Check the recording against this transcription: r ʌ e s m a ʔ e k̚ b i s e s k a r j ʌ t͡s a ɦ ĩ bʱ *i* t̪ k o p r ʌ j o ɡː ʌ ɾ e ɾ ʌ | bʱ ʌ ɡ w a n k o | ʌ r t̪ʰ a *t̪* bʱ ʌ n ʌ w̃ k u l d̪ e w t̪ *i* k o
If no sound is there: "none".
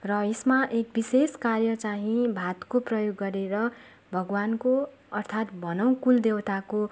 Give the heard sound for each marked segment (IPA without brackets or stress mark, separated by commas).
a, t̪, a